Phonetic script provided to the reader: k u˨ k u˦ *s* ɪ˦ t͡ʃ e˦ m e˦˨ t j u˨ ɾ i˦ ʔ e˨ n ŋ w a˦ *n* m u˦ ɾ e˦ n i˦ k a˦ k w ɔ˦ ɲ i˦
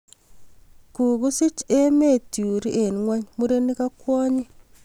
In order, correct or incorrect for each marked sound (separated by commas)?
correct, incorrect